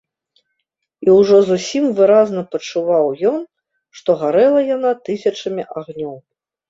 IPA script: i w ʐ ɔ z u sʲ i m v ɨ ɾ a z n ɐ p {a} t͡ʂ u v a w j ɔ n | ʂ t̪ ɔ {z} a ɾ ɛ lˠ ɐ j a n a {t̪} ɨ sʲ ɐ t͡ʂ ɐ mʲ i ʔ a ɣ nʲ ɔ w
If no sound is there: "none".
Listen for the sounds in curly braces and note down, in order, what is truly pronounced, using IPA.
ɐ, ɣ, t̪

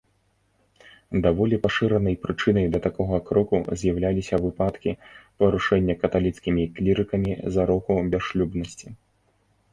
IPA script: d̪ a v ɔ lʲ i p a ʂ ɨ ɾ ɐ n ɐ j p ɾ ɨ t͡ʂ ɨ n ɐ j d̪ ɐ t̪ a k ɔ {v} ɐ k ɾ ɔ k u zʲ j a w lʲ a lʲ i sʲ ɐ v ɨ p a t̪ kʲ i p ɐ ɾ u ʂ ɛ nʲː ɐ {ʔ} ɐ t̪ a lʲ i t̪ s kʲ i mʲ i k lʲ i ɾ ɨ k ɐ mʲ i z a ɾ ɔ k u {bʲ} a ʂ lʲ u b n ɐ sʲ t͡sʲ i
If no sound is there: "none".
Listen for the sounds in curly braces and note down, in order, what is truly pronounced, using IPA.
ɣ, k, bʲ

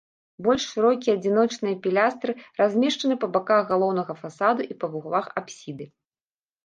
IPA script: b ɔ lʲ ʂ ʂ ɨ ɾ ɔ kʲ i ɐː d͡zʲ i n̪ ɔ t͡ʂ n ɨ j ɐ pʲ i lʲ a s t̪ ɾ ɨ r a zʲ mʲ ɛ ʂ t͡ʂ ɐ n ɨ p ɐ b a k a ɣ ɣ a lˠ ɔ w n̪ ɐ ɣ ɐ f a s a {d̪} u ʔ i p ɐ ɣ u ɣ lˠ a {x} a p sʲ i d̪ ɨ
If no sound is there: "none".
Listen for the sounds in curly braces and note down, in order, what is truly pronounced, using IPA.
d̪, x

